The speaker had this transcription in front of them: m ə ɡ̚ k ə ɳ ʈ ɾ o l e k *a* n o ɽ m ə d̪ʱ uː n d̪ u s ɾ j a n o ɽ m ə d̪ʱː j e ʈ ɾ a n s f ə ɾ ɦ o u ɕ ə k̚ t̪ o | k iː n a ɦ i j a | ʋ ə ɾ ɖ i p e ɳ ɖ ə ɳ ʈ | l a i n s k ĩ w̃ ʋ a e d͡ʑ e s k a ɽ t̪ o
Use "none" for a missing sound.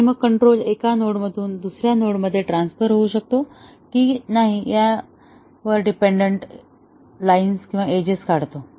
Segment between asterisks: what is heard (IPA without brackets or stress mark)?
a